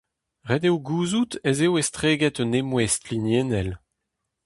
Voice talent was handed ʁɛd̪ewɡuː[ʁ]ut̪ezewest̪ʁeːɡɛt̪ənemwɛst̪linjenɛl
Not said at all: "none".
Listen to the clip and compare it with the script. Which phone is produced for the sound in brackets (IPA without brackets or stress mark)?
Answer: z